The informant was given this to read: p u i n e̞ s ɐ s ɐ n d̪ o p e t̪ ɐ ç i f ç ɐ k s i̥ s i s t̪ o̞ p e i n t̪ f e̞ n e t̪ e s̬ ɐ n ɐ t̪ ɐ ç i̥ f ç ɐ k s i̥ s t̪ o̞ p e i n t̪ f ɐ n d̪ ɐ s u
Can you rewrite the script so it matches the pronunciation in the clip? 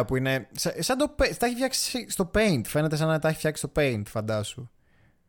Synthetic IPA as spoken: p u i n e̞ s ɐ s ɐ n d̪ o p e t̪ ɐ ç i f ç ɐ k s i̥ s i s t̪ o̞ p e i n t̪ f e̞ n e t̪ e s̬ ɐ n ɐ t̪ ɐ ç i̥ f ç ɐ k s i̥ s t̪ o̞ p e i n t̪ f ɐ n d̪ ɐ s u